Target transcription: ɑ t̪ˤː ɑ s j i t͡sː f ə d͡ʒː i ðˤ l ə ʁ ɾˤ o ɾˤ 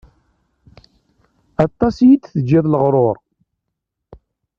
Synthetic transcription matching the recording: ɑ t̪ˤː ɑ s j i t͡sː θ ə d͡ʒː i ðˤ l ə ʁ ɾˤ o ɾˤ